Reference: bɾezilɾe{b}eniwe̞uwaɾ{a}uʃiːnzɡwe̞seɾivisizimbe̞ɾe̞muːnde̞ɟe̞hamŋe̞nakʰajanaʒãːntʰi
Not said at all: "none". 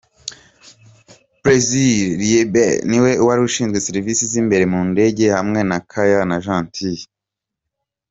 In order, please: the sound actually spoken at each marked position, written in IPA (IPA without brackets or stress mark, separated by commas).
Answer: b, i